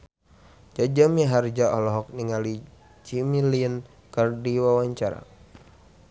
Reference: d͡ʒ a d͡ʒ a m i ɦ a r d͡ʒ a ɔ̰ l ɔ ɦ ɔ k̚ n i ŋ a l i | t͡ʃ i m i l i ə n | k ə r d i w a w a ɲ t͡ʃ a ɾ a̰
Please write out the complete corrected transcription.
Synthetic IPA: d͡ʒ a d͡ʒ a m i ɦ a r d͡ʒ a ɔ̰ l ɔ ɦ ɔ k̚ n i ŋ a l i | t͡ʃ i m i l i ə n | k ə r d i w a w a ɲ t͡ʃ a ɾ a̰